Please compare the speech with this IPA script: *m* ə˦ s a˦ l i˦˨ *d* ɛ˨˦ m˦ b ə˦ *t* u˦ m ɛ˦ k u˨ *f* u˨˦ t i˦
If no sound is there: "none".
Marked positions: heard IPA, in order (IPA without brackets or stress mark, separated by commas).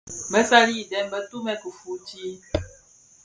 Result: m, d, t, f